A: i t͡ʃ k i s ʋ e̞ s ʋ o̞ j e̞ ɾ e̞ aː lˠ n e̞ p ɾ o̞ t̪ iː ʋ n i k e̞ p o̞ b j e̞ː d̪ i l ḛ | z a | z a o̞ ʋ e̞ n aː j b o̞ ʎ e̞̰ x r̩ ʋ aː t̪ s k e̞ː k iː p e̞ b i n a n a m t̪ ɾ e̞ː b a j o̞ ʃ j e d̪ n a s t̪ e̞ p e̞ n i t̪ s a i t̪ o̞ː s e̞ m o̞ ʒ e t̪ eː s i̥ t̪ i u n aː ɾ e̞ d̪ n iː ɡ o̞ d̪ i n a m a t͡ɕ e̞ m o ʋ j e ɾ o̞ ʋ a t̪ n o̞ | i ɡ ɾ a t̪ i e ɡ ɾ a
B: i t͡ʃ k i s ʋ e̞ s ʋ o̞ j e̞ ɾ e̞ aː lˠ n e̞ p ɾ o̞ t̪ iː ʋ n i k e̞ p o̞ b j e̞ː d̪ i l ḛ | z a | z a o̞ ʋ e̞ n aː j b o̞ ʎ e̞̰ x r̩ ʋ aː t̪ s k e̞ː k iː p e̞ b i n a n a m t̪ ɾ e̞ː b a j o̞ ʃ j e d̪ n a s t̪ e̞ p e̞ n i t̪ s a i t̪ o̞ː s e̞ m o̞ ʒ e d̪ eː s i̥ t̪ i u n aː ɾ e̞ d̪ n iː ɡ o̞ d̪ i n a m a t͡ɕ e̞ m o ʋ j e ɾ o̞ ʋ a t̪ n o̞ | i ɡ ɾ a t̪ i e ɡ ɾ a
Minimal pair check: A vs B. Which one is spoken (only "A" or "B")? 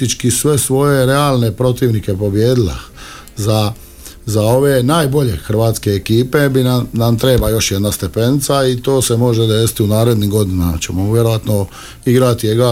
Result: B